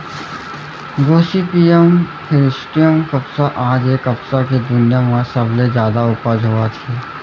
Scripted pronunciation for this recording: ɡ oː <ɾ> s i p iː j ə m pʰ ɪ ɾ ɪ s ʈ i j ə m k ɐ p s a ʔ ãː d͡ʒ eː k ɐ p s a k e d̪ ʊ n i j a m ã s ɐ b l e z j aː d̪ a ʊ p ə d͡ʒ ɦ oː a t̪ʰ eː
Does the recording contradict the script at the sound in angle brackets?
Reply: yes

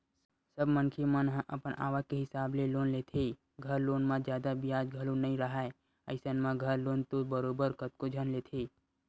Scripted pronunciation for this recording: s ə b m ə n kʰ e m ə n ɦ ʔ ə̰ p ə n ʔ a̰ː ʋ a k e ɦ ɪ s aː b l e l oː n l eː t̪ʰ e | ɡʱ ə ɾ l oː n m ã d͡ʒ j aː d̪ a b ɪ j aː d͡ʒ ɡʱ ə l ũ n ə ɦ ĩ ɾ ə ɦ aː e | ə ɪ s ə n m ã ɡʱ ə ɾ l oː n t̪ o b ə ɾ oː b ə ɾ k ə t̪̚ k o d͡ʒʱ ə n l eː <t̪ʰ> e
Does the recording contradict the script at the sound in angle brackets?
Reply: no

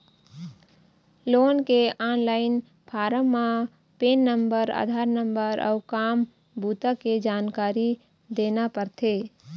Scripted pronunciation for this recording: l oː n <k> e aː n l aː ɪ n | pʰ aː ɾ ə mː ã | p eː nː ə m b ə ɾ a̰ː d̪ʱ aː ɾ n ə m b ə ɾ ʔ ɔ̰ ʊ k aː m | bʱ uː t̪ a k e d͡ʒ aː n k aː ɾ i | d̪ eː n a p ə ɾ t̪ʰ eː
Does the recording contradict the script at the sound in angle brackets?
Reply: no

